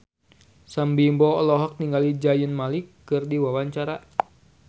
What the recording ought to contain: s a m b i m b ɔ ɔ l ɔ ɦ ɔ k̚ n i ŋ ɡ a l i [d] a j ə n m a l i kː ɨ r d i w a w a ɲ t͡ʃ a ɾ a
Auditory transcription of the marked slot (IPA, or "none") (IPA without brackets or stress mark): d͡ʒ